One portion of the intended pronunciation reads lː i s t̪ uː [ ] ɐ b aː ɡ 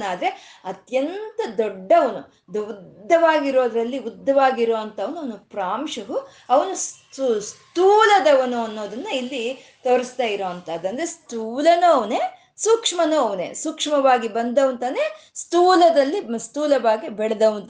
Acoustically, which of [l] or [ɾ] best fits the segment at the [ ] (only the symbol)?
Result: l